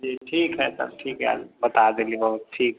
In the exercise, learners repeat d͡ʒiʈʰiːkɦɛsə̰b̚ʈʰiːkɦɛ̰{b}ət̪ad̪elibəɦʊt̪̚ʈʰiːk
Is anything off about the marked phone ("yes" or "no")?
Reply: no